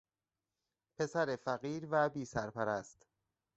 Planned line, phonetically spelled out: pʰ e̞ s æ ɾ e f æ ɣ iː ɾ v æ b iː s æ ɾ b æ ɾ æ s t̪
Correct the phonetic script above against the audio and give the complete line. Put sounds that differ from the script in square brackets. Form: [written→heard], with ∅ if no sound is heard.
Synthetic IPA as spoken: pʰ e̞ s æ ɾ e f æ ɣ iː ɾ v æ b iː s æ ɾ [b→p] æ ɾ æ s t̪